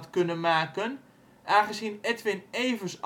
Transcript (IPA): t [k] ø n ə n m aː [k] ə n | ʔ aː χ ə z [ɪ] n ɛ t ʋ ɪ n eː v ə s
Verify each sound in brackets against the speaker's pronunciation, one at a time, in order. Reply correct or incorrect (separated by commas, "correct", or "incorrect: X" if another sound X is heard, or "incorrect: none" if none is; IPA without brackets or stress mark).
correct, correct, incorrect: i